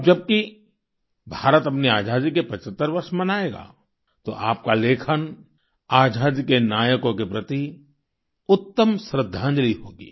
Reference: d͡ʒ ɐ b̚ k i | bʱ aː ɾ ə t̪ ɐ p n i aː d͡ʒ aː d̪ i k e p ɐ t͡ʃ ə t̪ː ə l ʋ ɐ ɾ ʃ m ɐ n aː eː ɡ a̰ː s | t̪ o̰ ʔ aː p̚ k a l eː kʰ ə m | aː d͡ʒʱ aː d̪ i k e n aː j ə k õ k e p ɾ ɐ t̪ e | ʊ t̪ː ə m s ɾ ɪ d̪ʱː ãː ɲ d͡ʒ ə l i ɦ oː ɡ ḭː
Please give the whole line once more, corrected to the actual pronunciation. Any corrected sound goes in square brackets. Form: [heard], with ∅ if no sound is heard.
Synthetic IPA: d͡ʒ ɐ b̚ k i | bʱ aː ɾ ə t̪ ɐ p n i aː d͡ʒ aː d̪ i k e p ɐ t͡ʃ ə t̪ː ə [ɾ] ʋ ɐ ɾ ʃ m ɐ n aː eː ɡ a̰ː [∅] | t̪ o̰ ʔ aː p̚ k a l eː kʰ ə [n] | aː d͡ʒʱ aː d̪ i k e n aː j ə k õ k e p ɾ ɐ t̪ [i] | ʊ t̪ː ə m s ɾ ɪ d̪ʱː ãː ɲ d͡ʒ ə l i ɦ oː ɡ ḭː